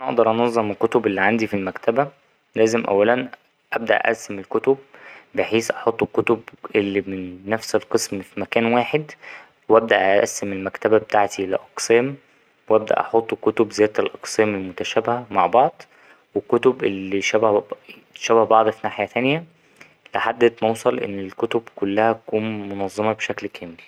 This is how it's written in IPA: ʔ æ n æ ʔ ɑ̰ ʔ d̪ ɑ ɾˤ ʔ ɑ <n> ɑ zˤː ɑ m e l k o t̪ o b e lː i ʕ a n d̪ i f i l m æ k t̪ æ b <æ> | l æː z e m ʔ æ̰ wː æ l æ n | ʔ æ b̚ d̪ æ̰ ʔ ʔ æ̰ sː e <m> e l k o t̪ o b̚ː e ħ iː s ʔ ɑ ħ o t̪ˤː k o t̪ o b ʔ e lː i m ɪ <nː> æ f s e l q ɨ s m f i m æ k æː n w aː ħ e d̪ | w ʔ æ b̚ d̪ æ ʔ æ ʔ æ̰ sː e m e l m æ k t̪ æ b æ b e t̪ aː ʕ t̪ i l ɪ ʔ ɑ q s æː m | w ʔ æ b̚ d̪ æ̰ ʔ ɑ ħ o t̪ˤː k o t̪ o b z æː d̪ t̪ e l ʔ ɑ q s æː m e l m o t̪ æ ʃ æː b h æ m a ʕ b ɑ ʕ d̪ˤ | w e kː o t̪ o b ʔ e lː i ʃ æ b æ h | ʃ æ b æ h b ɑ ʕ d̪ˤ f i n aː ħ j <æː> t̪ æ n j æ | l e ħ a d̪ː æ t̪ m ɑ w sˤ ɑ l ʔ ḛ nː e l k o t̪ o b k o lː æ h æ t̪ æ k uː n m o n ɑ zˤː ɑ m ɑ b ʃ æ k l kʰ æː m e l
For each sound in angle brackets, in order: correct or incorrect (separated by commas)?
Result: correct, correct, correct, correct, incorrect